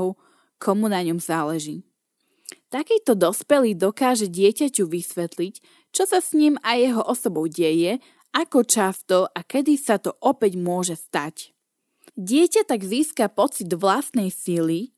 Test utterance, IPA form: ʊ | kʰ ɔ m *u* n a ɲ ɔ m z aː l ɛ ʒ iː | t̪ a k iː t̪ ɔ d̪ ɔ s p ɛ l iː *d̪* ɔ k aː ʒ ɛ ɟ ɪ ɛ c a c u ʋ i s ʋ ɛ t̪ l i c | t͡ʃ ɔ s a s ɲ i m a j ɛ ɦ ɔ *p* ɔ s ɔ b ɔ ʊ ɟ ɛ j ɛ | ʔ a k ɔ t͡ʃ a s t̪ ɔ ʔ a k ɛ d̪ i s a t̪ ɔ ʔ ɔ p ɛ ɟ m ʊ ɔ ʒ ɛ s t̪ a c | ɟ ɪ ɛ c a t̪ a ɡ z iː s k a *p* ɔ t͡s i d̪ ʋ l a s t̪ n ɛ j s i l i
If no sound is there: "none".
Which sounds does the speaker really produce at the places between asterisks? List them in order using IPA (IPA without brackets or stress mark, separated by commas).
u, d̪, ʔ, p